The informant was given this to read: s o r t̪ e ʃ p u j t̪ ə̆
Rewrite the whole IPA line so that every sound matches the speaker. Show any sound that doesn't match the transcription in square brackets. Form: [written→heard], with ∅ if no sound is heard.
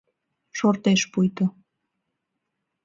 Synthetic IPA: [s→ʃ] o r t̪ e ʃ p u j t̪ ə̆